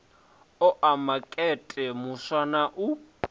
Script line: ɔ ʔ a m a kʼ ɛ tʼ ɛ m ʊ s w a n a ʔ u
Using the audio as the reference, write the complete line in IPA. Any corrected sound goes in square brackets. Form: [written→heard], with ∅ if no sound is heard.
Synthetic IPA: ɔ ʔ a m a kʼ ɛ tʼ ɛ m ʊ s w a n a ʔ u

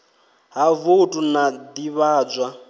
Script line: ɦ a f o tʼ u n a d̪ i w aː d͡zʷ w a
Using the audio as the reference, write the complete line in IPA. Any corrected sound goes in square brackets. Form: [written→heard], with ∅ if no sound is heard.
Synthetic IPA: ɦ a [f→v] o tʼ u n a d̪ i [w→β] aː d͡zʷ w a

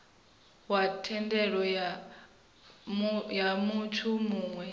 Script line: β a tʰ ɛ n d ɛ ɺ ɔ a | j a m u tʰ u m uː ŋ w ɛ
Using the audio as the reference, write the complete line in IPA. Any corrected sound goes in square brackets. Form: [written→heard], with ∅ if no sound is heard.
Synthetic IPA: [β→w] a tʰ ɛ n d ɛ ɺ ɔ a | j a m u tʰ u m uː ŋ w ɛ

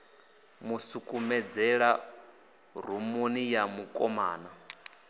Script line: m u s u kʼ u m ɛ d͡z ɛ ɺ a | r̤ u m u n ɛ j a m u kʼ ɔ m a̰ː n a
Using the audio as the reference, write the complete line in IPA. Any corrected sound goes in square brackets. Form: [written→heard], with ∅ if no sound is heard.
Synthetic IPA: m u s u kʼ u m ɛ d͡z ɛ ɺ a | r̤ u m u n [ɛ→i] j a m u kʼ ɔ m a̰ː n a

